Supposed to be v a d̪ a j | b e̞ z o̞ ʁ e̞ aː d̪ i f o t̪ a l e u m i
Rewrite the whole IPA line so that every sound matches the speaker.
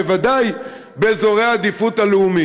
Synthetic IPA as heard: v a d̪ a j | b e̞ z o̞ ʁ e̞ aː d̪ i f u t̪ a l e u m i